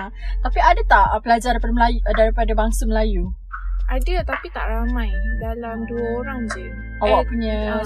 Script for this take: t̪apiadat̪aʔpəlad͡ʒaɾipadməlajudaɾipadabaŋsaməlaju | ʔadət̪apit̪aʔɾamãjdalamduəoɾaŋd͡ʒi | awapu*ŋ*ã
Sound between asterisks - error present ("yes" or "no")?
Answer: yes